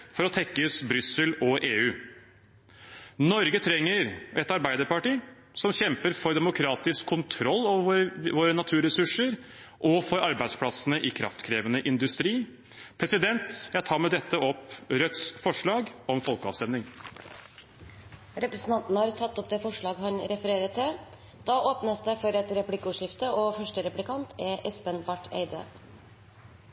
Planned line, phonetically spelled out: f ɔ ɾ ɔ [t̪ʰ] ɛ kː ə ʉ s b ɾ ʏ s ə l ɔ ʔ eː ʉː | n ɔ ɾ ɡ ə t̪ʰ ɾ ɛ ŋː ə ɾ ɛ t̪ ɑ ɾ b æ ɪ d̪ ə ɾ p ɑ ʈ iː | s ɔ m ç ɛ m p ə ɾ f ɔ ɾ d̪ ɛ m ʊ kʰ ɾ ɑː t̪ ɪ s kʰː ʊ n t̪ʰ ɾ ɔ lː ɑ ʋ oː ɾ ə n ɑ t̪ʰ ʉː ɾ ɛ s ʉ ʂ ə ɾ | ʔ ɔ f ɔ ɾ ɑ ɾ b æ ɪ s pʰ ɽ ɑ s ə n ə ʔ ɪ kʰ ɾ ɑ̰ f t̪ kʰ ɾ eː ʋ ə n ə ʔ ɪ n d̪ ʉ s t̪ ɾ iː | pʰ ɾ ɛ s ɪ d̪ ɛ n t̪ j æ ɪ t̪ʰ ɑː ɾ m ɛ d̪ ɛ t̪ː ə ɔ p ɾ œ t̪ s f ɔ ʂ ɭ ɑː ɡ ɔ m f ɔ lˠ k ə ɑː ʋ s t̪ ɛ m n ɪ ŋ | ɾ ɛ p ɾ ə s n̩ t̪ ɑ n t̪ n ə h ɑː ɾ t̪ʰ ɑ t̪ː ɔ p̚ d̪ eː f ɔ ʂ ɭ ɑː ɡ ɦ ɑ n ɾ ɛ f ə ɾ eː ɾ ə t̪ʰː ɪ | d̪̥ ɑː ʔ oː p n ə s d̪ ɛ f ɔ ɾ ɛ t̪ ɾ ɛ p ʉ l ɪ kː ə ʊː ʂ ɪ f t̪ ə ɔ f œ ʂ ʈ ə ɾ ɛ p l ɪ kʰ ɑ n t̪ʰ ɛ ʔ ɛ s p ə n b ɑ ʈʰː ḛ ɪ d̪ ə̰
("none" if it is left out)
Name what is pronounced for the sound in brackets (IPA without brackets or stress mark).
t̪ʰ